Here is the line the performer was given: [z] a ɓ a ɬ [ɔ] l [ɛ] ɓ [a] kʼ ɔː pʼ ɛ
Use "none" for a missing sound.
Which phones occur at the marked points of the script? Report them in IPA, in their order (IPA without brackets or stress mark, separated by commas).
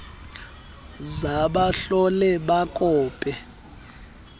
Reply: z, ɔ, ɛ, a